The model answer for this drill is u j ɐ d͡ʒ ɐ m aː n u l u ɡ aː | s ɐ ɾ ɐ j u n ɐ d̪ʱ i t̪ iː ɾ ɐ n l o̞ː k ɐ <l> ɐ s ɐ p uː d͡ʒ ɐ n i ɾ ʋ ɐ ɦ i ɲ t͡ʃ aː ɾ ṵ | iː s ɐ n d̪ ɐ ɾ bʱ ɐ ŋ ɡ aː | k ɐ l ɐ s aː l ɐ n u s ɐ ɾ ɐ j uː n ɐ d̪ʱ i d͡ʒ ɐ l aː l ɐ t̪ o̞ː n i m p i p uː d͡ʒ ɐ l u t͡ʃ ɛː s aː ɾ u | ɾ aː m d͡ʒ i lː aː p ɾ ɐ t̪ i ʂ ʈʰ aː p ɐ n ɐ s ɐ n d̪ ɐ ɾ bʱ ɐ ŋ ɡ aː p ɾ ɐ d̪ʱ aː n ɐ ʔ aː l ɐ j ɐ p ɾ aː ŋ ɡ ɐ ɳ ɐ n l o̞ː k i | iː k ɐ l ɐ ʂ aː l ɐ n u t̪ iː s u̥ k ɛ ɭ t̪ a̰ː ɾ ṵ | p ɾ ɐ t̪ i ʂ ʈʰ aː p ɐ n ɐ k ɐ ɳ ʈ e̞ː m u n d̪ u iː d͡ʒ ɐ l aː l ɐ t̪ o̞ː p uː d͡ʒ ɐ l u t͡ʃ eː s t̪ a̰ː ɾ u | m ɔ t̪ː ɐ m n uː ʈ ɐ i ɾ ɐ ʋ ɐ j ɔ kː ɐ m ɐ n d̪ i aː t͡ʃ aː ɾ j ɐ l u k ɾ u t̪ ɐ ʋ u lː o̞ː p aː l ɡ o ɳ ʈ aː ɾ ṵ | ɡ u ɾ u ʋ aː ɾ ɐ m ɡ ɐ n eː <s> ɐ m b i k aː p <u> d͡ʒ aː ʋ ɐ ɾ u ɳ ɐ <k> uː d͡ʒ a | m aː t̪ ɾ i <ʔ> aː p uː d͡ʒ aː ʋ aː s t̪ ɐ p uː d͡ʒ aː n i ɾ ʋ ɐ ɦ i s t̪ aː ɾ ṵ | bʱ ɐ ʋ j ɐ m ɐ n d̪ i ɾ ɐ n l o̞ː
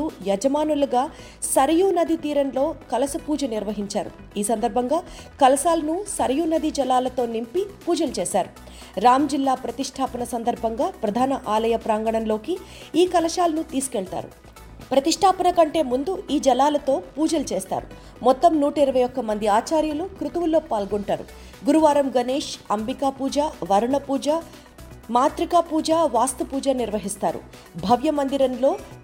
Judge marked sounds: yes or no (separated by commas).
yes, no, no, no, no